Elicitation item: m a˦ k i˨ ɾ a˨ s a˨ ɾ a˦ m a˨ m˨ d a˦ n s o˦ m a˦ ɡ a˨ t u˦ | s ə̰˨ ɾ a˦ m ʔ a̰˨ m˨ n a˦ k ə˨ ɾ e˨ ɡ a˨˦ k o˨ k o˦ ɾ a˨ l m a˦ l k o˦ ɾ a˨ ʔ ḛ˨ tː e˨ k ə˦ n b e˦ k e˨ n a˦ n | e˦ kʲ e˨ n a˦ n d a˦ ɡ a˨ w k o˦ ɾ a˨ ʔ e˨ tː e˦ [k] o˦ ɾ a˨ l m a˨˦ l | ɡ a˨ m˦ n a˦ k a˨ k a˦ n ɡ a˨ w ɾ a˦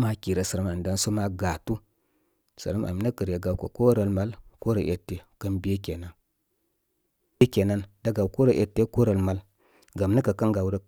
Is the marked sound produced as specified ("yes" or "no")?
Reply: yes